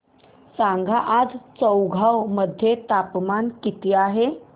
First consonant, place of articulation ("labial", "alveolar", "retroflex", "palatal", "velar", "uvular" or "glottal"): alveolar